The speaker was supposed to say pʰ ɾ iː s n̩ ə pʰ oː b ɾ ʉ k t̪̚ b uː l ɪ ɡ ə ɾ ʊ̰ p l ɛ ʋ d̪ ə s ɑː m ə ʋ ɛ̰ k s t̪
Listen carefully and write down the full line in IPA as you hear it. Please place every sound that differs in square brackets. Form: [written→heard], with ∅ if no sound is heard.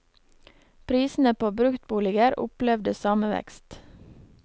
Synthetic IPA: pʰ ɾ iː s n̩ ə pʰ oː b ɾ ʉ k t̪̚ b uː l ɪ ɡ ə ɾ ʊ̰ p l ɛ ʋ d̪ ə s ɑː m ə ʋ ɛ̰ k s t̪